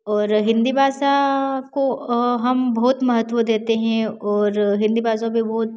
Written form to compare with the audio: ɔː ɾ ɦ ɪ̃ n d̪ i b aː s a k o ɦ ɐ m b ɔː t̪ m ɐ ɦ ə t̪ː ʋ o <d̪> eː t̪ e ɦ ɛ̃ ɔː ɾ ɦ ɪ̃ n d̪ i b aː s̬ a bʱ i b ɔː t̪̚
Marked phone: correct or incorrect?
correct